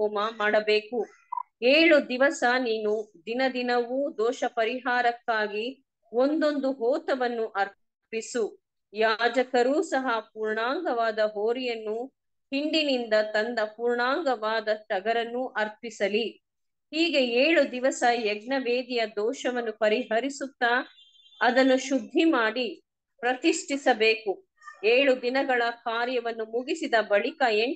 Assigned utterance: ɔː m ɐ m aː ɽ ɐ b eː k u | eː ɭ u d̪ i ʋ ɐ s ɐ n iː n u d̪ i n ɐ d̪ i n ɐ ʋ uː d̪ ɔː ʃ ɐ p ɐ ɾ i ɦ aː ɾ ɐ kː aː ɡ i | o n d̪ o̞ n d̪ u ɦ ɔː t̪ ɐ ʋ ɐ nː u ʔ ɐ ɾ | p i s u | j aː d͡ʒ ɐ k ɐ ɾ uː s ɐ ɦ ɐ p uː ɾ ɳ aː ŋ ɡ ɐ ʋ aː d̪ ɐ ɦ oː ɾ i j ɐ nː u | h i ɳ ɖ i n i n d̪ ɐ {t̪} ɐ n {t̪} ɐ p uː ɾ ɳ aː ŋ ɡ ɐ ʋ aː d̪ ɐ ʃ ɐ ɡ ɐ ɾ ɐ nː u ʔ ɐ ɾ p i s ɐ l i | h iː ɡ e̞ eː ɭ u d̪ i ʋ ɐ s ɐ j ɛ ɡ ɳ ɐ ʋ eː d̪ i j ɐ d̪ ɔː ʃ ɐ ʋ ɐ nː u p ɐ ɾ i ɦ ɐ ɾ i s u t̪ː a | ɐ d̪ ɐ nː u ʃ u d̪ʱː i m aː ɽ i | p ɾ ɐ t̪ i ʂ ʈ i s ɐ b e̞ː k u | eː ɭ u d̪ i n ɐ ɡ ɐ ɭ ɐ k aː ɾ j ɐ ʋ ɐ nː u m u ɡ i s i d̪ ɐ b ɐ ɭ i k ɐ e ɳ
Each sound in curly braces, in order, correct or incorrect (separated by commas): correct, incorrect